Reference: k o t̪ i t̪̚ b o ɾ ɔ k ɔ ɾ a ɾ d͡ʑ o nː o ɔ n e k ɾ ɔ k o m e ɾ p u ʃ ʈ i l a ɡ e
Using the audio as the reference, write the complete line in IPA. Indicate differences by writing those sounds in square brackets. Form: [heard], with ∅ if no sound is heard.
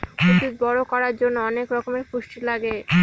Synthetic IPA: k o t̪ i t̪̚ b [ɔ] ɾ [o] k ɔ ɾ a ɾ d͡ʑ o nː o ɔ n e k ɾ ɔ k o m e ɾ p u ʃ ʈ i l a ɡ e